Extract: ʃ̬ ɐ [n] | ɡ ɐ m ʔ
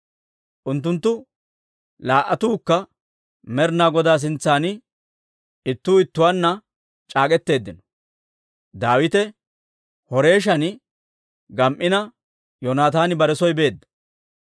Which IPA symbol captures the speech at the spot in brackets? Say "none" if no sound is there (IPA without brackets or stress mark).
n